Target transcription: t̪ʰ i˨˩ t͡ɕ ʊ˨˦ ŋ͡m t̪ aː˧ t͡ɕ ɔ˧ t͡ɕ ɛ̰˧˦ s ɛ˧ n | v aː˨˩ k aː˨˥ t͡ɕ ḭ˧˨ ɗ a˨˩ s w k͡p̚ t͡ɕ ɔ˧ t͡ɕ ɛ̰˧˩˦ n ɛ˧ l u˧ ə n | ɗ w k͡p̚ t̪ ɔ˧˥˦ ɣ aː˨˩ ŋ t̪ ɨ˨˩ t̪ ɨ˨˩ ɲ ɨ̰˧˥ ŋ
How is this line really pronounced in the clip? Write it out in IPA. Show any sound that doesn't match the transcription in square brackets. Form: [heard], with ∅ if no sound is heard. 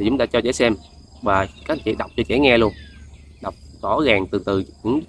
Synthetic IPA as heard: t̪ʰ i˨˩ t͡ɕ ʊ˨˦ ŋ͡m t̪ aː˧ t͡ɕ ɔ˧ t͡ɕ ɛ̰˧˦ s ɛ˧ [m] | v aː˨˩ k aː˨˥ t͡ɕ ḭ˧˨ ɗ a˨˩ [∅] w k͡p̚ t͡ɕ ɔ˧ t͡ɕ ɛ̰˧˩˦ [ŋ] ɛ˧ l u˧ ə n | ɗ w k͡p̚ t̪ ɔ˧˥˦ ɣ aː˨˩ ŋ t̪ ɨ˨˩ t̪ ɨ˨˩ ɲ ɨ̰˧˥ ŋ